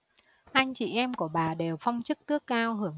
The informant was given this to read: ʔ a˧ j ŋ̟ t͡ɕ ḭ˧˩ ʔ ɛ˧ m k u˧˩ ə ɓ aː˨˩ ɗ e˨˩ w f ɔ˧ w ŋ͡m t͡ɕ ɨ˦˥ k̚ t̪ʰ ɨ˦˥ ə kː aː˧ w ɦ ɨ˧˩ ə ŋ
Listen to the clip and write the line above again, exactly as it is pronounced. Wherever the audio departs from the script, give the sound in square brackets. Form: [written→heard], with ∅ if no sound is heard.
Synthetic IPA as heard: ʔ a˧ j ŋ̟ t͡ɕ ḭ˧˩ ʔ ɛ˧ m k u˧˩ ə ɓ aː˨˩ ɗ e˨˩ w f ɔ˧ w ŋ͡m t͡ɕ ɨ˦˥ k̚ [t̪ʰ→t̪] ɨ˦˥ ə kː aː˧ w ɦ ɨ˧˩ ə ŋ